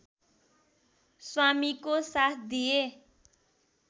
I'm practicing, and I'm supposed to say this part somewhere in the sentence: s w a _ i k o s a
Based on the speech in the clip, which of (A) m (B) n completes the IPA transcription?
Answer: A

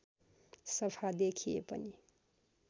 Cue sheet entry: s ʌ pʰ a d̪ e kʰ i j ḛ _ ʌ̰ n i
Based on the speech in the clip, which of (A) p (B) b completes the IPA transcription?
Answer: A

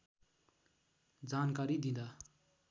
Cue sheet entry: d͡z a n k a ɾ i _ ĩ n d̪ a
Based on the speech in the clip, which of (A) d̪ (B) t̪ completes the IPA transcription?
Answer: A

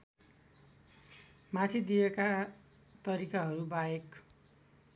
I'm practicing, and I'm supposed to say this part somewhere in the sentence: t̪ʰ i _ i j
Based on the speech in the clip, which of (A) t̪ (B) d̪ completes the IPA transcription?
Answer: B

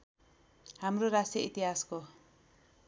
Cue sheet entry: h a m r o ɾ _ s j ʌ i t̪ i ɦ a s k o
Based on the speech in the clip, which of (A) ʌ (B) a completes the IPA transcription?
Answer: B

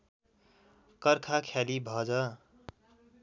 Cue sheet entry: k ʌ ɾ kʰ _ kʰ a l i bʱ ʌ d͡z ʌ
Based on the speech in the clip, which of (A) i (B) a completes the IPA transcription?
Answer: B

